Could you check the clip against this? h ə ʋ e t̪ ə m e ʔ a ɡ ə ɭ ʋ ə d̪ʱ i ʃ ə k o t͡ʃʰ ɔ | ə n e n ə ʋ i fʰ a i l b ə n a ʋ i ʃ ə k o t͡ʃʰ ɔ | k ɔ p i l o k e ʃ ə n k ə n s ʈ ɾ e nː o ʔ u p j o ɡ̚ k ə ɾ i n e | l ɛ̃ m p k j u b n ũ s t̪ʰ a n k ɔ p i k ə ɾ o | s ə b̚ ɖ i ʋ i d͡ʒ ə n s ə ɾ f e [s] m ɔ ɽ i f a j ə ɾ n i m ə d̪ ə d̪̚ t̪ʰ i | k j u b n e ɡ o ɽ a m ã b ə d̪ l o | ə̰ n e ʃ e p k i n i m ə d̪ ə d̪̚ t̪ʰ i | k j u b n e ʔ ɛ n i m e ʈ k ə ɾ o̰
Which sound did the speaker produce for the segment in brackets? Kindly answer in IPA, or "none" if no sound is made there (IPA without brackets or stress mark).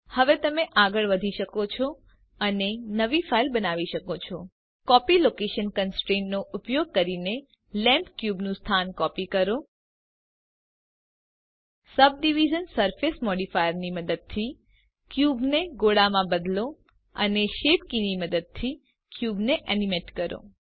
s